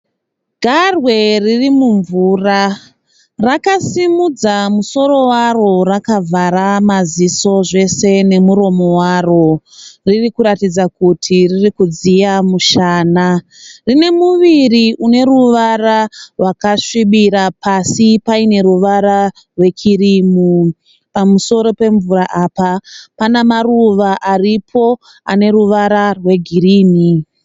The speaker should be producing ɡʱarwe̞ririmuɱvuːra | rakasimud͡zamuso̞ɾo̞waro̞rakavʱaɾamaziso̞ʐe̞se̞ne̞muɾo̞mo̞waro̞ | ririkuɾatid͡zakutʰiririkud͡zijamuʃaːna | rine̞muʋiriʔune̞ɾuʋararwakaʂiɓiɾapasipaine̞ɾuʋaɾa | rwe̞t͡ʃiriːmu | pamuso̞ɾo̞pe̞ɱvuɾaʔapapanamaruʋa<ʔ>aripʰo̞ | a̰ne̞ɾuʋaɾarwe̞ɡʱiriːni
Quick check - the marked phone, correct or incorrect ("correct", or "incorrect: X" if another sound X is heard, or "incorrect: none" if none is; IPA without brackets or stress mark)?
correct